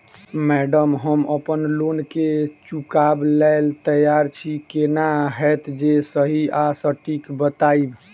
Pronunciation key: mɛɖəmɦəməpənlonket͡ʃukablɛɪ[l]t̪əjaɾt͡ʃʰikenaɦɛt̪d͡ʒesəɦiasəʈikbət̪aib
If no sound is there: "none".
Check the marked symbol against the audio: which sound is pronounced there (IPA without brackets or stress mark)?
l